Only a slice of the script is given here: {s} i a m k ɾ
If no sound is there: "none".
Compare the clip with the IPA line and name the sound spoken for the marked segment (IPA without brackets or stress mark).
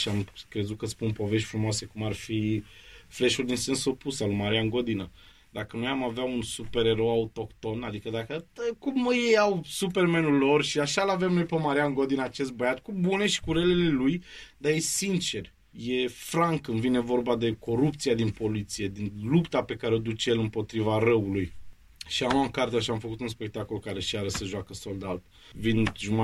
ʃ